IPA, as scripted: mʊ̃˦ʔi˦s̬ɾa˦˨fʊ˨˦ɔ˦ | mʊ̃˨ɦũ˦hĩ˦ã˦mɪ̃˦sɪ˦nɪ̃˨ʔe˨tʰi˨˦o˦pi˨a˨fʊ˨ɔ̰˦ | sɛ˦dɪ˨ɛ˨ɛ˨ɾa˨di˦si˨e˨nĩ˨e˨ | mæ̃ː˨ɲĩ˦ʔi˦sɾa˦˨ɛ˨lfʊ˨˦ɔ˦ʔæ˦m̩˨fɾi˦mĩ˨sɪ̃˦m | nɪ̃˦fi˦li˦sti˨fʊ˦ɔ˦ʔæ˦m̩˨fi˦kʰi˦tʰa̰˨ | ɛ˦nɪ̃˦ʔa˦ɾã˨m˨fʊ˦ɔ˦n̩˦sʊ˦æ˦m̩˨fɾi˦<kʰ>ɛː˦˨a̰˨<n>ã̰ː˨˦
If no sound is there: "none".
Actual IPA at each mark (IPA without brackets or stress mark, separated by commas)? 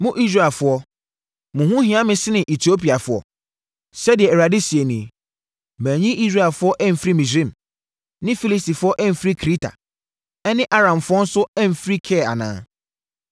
kʰ, n